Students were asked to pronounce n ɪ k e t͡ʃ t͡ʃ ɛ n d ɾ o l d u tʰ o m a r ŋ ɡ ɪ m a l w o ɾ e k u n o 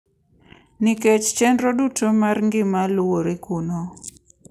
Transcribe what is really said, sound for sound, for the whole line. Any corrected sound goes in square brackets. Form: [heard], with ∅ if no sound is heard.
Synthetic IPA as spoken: n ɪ k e t͡ʃ t͡ʃ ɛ n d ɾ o [∅] d u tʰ o m a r ŋ ɡ ɪ m a l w o ɾ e k u n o